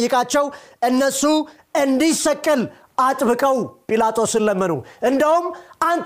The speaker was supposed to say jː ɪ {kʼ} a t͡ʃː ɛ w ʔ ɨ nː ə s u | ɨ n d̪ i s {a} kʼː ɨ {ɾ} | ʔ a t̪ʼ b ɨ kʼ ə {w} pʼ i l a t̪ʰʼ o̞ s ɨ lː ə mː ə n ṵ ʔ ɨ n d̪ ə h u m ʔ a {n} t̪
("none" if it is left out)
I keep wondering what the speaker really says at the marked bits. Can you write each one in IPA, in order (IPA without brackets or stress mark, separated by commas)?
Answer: kʼ, ə, l, w, n